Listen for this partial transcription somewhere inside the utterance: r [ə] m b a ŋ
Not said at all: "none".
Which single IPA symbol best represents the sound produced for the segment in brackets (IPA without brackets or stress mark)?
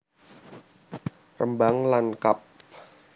ə